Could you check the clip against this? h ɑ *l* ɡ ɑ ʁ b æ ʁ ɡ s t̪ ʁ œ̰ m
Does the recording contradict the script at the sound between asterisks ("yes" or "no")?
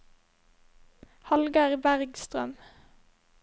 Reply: no